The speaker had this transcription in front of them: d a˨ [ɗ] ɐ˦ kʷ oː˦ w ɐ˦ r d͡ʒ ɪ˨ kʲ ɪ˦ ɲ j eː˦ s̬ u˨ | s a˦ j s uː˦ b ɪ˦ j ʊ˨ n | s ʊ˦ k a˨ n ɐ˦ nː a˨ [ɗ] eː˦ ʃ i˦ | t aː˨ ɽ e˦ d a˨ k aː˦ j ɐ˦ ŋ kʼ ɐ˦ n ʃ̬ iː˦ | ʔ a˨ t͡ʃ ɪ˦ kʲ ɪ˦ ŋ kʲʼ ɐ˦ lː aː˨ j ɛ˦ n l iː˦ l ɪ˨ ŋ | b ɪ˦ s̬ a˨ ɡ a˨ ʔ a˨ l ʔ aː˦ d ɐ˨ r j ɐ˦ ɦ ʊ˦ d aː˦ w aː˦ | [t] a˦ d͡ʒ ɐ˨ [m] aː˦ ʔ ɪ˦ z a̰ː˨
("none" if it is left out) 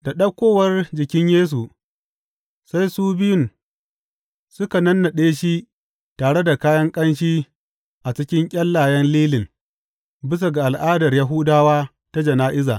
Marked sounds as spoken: ɗ, ɗ, t, n

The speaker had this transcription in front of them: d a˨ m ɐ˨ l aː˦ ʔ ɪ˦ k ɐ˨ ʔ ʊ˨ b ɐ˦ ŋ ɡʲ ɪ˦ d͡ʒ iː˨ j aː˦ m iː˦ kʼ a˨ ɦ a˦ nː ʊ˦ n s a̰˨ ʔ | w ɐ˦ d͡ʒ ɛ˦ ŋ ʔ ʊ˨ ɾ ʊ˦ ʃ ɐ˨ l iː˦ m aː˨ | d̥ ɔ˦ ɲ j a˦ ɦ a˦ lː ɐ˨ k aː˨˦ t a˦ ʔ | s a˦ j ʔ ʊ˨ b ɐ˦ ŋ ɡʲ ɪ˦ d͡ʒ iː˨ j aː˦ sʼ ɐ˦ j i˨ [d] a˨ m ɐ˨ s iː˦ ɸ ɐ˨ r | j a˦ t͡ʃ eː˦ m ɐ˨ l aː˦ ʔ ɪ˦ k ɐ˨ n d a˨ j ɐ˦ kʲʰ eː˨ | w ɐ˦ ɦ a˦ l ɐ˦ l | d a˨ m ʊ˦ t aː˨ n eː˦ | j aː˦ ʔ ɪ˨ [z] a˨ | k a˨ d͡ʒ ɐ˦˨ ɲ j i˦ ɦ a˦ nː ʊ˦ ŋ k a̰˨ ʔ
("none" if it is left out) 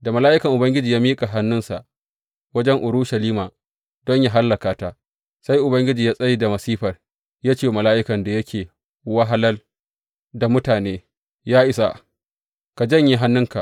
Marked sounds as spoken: d, s

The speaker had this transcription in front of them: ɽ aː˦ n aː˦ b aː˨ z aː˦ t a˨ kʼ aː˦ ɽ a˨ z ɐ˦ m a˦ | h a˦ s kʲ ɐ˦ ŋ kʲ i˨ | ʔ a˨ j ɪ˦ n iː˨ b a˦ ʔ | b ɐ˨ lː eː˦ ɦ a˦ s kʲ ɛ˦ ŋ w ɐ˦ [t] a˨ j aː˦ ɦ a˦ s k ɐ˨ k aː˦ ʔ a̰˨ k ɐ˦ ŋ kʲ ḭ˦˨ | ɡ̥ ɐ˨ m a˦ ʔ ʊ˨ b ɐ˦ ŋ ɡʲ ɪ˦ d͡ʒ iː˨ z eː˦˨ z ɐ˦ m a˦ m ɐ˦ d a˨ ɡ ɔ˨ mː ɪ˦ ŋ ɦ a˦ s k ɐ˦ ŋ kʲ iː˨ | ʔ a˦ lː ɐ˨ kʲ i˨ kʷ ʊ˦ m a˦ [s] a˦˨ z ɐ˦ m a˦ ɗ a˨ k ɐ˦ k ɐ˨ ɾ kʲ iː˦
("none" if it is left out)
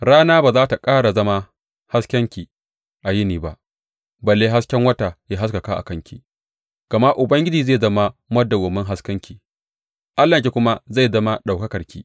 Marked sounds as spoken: t, z

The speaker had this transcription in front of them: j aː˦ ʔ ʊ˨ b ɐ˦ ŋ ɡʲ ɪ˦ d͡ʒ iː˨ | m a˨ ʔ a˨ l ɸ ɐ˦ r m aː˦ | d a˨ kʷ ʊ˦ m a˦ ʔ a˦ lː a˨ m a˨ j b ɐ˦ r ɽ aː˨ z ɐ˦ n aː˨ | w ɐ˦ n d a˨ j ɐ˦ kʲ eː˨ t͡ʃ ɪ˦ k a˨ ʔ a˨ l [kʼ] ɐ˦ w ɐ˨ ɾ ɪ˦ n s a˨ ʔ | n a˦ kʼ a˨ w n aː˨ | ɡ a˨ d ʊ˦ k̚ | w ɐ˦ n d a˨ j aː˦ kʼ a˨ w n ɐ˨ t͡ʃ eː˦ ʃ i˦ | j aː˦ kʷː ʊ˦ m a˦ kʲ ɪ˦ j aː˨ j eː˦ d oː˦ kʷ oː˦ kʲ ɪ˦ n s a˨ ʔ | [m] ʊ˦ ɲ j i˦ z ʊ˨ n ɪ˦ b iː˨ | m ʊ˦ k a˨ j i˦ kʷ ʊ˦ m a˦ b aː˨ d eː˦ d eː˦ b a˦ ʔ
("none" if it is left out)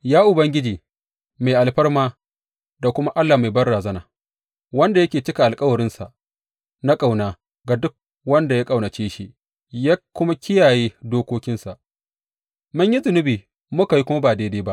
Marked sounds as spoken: kʼ, m

